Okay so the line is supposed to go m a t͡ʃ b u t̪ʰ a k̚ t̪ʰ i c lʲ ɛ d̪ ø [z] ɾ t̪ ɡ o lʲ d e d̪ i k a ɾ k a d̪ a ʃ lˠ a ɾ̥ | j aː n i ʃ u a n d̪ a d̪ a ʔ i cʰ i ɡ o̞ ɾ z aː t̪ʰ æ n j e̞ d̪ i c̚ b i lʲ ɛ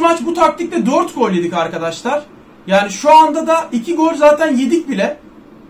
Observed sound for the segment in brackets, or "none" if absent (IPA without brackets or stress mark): none